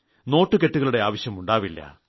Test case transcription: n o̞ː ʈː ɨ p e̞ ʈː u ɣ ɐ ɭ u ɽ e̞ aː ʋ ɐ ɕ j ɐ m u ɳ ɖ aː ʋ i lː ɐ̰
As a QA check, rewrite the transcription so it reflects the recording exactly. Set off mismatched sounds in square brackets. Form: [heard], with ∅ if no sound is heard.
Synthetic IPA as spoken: n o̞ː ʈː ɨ [k] e̞ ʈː u ɣ ɐ ɭ u ɽ e̞ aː ʋ ɐ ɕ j ɐ m u ɳ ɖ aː ʋ i lː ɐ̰